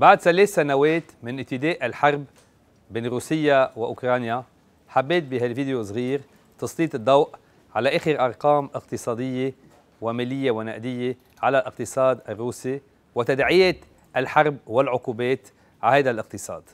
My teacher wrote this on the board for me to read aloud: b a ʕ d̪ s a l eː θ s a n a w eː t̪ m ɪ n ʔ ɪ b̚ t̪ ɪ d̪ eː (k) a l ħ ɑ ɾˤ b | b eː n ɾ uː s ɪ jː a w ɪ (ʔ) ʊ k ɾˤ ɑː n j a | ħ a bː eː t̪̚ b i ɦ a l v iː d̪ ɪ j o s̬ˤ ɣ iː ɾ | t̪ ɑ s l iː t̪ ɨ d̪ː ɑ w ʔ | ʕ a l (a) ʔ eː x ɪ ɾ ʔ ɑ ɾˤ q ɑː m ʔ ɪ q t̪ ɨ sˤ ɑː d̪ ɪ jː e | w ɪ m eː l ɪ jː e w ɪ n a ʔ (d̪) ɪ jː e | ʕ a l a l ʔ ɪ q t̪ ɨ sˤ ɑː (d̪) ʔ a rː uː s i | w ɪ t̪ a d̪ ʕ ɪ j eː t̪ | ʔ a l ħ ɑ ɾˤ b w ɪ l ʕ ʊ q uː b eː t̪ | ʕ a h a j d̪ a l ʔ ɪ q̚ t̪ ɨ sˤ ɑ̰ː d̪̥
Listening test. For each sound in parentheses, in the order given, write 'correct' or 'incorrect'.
incorrect: ʔ, correct, correct, correct, correct

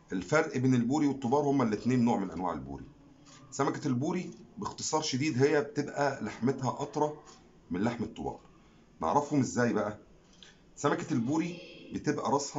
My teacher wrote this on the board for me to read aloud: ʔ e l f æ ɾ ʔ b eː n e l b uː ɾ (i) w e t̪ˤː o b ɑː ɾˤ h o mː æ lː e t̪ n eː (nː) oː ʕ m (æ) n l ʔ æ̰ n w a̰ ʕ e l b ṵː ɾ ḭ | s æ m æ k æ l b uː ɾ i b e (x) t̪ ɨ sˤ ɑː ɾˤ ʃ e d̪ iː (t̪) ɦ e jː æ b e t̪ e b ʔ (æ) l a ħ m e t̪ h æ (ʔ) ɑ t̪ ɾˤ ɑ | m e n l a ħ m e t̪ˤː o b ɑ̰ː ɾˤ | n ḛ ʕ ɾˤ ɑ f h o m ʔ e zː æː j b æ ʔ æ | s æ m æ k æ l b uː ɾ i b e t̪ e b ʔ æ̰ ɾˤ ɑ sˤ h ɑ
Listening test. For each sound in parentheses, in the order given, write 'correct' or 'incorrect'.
correct, correct, incorrect: e, correct, incorrect: d̪, correct, correct

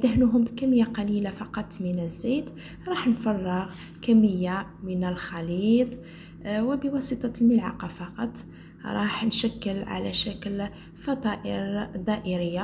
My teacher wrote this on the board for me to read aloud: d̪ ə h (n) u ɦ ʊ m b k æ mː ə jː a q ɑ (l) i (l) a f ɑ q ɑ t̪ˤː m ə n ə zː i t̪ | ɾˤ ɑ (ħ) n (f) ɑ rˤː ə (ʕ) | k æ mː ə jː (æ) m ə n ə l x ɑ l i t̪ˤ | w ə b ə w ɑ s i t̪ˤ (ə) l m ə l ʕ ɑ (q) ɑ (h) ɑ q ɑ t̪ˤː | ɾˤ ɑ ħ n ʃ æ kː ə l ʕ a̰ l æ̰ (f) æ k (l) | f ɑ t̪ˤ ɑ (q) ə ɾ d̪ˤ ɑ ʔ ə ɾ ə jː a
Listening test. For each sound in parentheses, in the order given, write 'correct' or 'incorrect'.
correct, correct, correct, correct, correct, incorrect: ɣ, incorrect: a, incorrect: ɑ, correct, incorrect: f, incorrect: ʃ, correct, incorrect: ʔ

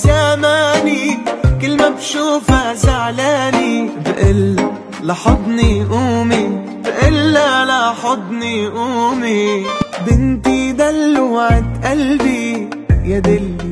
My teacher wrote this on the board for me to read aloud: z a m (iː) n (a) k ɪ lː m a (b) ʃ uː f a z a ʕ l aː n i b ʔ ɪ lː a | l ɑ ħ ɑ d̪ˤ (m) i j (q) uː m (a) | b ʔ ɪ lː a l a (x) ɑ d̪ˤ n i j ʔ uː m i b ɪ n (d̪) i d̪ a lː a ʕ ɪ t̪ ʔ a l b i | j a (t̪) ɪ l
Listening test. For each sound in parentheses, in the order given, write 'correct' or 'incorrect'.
incorrect: aː, incorrect: i, correct, incorrect: n, incorrect: ʔ, incorrect: i, incorrect: ħ, incorrect: t̪, incorrect: d̪

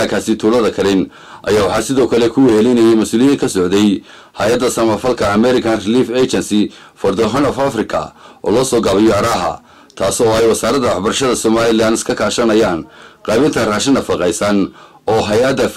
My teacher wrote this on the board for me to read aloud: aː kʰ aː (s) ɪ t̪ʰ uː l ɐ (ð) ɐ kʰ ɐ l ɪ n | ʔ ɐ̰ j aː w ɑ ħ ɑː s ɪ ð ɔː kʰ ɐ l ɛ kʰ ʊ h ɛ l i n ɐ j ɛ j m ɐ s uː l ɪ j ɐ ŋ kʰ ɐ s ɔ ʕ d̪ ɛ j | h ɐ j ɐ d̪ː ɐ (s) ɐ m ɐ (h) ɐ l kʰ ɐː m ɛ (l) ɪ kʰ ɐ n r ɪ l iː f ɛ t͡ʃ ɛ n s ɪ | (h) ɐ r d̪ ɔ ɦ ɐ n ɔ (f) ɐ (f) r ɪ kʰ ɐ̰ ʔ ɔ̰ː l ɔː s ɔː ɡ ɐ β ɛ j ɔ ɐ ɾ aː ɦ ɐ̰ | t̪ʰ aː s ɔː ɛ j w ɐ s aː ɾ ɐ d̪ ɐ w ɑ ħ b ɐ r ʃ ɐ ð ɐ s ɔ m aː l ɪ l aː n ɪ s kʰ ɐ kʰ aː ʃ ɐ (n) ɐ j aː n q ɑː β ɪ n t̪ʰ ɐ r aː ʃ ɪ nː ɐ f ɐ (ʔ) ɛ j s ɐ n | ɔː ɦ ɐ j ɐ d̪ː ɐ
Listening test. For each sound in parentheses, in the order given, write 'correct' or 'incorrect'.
correct, correct, correct, incorrect: f, incorrect: ɾ, incorrect: f, correct, correct, correct, incorrect: q

